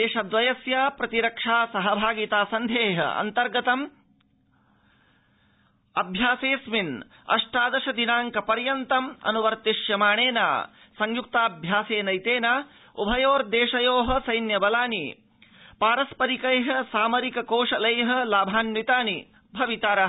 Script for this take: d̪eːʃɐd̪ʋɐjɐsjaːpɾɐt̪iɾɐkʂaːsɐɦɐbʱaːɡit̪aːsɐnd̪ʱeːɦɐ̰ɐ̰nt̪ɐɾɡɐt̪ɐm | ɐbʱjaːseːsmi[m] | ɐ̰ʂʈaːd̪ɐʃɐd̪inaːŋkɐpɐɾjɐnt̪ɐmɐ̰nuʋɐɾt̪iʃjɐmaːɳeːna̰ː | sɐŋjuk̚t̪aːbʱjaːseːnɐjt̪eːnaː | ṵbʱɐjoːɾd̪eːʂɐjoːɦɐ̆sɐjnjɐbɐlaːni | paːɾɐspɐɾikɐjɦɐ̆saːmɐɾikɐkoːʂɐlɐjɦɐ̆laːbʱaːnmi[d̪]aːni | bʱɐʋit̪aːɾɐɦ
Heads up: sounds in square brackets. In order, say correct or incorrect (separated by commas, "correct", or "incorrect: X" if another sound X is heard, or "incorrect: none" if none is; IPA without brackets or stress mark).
incorrect: n, incorrect: t̪